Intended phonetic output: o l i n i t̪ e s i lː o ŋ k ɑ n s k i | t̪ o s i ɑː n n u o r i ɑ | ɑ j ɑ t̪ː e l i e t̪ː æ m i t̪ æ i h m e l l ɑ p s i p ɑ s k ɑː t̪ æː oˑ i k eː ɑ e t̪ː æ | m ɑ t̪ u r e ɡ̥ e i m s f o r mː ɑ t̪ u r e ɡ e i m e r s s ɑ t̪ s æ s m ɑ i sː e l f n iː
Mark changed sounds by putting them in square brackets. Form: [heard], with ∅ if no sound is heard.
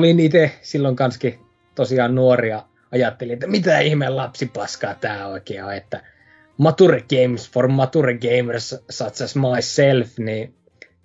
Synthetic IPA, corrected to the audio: o l i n i t̪ e s i lː o ŋ k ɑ n s k i | t̪ o s i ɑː n n u o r i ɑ | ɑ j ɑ t̪ː e l i e t̪ː æ m i t̪ æ i h m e l l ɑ p s i p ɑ s k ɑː t̪ æː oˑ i k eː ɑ e t̪ː æ | m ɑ t̪ u r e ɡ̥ e i m s f o r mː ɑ t̪ u r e ɡ e i m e r s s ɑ t̪ s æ s m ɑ i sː e l f n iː